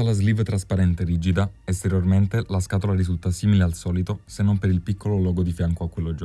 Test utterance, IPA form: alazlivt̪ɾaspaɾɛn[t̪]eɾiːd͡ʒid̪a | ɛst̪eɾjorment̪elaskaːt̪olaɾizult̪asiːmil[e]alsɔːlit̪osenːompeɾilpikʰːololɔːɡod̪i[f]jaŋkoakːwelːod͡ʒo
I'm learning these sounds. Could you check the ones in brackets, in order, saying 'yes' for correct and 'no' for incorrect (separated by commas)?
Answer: yes, yes, yes